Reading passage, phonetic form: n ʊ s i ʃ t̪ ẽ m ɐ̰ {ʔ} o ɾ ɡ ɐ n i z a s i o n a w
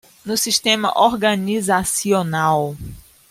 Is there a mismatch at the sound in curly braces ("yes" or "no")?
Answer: no